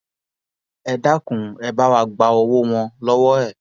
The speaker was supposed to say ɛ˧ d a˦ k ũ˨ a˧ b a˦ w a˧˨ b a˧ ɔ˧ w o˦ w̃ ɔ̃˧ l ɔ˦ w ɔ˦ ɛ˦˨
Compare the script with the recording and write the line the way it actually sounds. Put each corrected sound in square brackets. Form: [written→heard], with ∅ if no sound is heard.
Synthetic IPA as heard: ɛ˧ d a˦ k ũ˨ [a˧→ɛ˧] b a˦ w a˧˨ [b→ɡ͡b] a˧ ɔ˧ w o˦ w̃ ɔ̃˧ l ɔ˦ w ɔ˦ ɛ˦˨